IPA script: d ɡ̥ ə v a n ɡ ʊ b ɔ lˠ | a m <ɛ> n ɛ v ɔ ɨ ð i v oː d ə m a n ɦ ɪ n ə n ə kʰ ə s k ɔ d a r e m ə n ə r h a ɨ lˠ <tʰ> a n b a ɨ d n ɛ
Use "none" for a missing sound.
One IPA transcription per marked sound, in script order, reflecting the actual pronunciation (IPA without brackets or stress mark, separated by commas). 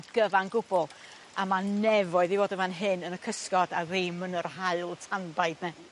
a, tʰ